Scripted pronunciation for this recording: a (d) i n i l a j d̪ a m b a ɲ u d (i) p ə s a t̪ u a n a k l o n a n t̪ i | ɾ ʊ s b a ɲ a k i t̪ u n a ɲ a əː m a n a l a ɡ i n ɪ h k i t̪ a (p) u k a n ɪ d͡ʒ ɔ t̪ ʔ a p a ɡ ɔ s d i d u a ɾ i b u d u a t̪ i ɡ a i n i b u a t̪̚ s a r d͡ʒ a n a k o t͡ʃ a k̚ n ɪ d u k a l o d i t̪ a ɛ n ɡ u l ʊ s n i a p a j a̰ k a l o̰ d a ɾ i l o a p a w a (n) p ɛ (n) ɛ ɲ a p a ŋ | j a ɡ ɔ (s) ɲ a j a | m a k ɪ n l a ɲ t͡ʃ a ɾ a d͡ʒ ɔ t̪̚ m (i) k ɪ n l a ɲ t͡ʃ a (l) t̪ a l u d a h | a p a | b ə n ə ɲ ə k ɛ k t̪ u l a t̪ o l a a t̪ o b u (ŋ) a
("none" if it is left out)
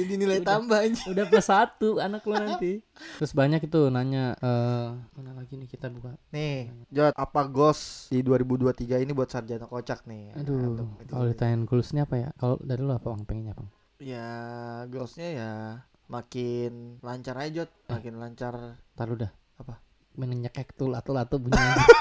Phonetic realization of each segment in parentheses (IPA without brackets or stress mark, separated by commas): d, a, b, ŋ, ŋ, s, a, r, ɲ